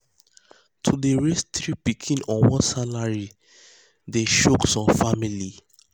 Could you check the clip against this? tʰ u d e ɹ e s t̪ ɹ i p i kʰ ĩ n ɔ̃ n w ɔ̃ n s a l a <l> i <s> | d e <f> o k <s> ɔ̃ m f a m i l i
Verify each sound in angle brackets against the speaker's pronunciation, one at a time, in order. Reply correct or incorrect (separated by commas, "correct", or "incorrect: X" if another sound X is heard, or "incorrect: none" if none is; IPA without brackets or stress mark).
incorrect: ɹ, incorrect: none, incorrect: ʃ, correct